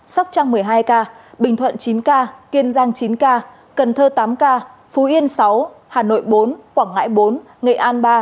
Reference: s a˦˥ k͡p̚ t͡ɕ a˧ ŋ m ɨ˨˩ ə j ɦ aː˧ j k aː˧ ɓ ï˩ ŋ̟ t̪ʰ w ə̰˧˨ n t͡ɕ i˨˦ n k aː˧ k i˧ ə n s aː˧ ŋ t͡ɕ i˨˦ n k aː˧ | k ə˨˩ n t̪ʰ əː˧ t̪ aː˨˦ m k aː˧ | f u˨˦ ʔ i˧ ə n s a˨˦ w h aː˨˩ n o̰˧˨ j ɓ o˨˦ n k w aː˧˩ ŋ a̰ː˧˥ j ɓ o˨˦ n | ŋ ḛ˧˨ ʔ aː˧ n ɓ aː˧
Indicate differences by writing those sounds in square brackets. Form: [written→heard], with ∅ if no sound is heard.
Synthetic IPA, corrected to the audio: s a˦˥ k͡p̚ t͡ɕ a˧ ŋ m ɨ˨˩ ə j ɦ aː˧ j k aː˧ ɓ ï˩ ŋ̟ t̪ʰ w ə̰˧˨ n t͡ɕ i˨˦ n k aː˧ k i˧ ə n [s→z] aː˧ ŋ t͡ɕ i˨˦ n k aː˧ | k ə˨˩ n t̪ʰ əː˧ t̪ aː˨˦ m k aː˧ | f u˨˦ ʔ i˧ ə n s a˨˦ w h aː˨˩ n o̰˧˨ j ɓ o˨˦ n k w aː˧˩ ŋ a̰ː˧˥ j ɓ o˨˦ n | ŋ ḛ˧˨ ʔ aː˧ n ɓ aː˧